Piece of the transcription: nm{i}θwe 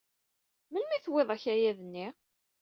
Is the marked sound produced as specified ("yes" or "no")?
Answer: yes